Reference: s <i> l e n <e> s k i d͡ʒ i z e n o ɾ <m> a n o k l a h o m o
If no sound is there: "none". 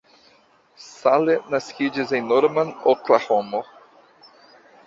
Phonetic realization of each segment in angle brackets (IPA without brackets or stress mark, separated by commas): a, a, m